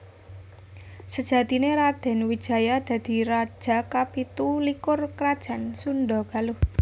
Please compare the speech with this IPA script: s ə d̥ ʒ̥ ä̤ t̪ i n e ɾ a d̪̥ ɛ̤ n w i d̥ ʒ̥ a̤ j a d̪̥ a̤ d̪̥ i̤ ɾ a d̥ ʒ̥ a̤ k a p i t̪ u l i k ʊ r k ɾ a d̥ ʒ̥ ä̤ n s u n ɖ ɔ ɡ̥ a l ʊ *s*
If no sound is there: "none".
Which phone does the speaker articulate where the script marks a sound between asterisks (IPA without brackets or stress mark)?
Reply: h